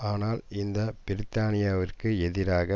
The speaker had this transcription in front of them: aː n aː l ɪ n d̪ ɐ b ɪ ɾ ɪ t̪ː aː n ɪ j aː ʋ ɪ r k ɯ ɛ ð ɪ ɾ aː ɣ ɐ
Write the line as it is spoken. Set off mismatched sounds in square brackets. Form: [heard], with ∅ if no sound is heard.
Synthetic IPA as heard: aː n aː l ɪ n d̪ ɐ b ɪ ɾ ɪ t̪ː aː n ɪ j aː ʋ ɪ r k ɯ ɛ ð ɪ ɾ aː ɣ ɐ

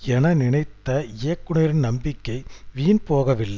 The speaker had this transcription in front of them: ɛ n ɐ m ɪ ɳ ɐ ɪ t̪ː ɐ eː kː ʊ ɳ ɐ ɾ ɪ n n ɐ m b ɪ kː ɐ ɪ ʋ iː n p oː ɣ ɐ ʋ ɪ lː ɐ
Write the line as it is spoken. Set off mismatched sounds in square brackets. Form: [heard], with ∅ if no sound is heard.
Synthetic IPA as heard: ɛ n ɐ [n] ɪ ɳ ɐ ɪ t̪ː ɐ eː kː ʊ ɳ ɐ ɾ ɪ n n ɐ m b ɪ kː ɐ ɪ ʋ iː n p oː ɣ ɐ ʋ ɪ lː ɐ

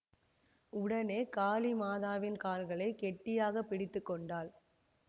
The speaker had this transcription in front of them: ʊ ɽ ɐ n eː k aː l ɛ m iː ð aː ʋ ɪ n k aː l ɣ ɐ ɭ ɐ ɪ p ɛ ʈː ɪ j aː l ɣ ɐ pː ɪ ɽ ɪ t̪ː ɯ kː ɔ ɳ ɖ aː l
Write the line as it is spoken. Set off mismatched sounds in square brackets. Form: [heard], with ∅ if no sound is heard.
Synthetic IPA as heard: ʊ ɽ ɐ n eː k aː l [i] m [aː] ð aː ʋ ɪ n k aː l ɣ ɐ ɭ ɐ ɪ [k] ɛ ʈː ɪ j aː [∅] ɣ ɐ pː ɪ ɽ ɪ t̪ː ɯ kː ɔ ɳ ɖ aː l

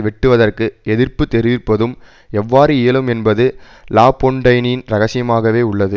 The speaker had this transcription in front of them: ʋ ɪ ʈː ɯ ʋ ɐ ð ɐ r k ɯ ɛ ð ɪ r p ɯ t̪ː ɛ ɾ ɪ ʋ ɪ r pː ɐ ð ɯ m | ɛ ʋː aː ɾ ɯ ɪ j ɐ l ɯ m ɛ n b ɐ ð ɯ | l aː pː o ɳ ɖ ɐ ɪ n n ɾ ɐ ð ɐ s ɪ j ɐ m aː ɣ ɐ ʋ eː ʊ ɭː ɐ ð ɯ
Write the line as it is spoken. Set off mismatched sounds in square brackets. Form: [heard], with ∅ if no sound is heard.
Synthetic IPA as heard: ʋ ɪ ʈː ɯ ʋ ɐ ð ɐ r k ɯ ɛ ð ɪ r p ɯ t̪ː ɛ ɾ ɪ ʋ ɪ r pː ɐ ð ɯ m | ɛ ʋː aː ɾ ɯ ɪ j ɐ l ɯ m ɛ n b ɐ ð ɯ | l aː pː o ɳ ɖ ɐ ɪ n n ɾ ɐ [ɣ] ɐ s ɪ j ɐ m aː ɣ ɐ ʋ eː ʊ ɭː ɐ ð ɯ

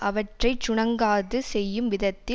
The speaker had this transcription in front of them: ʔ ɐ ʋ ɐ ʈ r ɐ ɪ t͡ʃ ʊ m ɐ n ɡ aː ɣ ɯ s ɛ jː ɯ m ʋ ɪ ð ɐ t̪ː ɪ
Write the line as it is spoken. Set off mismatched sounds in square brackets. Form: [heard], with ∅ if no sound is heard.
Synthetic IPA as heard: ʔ ɐ ʋ ɐ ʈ r ɐ ɪ t͡ʃ ʊ [ɳ] ɐ [ŋ] ɡ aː [ð] ɯ s ɛ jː ɯ m ʋ ɪ ð ɐ t̪ː ɪ

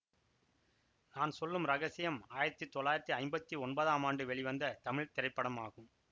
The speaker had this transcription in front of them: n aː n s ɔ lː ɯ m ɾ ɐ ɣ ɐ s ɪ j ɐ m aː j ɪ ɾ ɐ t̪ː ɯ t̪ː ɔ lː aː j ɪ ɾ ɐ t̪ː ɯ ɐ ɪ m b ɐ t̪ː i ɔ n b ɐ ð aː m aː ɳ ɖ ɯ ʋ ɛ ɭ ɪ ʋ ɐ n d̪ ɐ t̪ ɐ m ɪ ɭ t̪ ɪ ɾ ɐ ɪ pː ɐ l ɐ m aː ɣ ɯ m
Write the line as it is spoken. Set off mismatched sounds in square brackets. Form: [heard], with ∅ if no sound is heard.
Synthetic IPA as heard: n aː n s ɔ lː ɯ m ɾ ɐ ɣ ɐ s ɪ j ɐ m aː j ɪ ɾ ɐ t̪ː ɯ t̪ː ɔ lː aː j ɪ ɾ ɐ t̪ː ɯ ɐ ɪ m b ɐ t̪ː i ɔ n b ɐ ð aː m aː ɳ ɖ ɯ ʋ ɛ ɭ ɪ ʋ ɐ n d̪ ɐ t̪ ɐ m ɪ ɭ t̪ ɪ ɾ ɐ ɪ pː ɐ [ɽ] ɐ m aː ɣ ɯ m

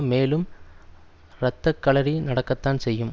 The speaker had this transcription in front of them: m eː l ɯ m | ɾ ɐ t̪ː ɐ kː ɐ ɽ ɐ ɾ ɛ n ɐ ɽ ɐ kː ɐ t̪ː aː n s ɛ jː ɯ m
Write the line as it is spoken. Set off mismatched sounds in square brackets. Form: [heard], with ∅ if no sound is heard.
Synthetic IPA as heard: m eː l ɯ m | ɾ ɐ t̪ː ɐ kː ɐ [ɭ] ɐ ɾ [i] n ɐ ɽ ɐ kː ɐ t̪ː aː n s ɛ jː ɯ m

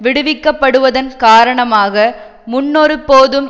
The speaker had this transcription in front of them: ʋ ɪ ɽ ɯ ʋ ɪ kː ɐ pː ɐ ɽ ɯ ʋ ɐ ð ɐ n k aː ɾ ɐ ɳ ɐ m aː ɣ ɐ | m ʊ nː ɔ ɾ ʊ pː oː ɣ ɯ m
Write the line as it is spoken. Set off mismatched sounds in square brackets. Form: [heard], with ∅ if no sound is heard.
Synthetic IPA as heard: ʋ ɪ ɽ ɯ ʋ ɪ kː ɐ pː ɐ ɽ ɯ ʋ ɐ ð ɐ n k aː ɾ ɐ ɳ ɐ m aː ɣ ɐ | m ʊ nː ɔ ɾ [ɯ] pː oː [ð] ɯ m

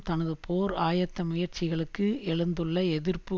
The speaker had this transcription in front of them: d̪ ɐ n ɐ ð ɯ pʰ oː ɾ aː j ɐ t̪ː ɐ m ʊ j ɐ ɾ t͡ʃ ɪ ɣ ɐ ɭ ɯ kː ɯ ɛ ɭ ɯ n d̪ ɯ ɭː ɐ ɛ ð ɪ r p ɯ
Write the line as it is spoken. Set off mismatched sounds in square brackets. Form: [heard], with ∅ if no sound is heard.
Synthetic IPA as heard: [t̪] ɐ n ɐ ð ɯ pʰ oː ɾ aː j ɐ t̪ː ɐ m ʊ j ɐ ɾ t͡ʃ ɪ ɣ ɐ ɭ ɯ kː ɯ ɛ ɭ ɯ n d̪ ɯ ɭː ɐ ɛ ð ɪ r p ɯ

